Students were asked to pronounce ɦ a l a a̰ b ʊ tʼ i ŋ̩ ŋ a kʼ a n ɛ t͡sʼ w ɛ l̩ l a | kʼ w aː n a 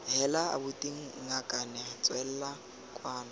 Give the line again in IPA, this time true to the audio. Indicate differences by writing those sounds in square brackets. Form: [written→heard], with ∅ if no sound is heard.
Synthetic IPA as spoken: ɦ [a→ɛ] l a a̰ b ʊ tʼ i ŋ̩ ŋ a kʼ a n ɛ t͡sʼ w ɛ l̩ l a | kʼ w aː n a